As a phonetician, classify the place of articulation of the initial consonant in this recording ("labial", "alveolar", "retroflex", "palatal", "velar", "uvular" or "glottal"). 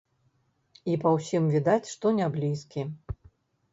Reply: labial